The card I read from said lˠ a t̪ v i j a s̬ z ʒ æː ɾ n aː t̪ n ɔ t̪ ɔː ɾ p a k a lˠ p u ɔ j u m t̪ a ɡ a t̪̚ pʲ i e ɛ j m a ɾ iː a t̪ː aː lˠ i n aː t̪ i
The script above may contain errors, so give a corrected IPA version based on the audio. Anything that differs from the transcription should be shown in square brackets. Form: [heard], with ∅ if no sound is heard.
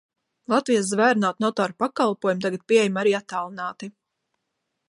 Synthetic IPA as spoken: lˠ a t̪ v i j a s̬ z [v] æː ɾ n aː t̪ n ɔ t̪ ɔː ɾ p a k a lˠ p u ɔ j u m t̪ a ɡ a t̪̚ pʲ i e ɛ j m a ɾ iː a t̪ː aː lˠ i n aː t̪ i